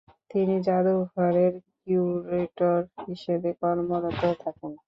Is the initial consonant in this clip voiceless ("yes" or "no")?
yes